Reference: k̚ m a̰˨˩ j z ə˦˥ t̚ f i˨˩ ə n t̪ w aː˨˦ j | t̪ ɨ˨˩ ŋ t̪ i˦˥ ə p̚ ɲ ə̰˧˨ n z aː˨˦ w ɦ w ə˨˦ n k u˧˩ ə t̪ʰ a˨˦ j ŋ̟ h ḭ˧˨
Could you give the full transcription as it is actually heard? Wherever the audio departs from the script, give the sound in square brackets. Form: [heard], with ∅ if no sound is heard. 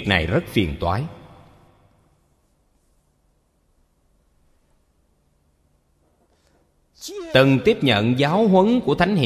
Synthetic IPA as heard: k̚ [n] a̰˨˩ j z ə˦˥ t̚ f i˨˩ ə n t̪ w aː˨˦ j | t̪ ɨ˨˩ ŋ t̪ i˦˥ ə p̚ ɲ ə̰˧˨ n z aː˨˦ w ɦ w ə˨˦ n k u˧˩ ə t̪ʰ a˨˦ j ŋ̟ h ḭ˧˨